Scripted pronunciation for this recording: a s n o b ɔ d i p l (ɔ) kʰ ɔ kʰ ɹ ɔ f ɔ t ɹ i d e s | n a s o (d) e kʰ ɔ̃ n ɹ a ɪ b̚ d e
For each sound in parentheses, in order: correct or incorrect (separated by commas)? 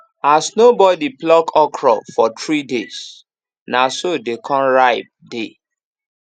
correct, correct